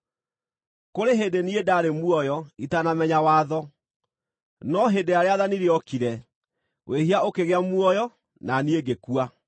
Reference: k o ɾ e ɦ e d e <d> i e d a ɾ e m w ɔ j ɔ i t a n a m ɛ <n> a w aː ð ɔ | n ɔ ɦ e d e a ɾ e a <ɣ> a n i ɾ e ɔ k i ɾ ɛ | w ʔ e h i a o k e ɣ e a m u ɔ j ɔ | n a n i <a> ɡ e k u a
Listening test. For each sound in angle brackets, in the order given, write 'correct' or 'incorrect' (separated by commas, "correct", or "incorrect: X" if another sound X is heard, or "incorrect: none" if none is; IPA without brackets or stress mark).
incorrect: n, incorrect: ɲ, incorrect: ð, incorrect: e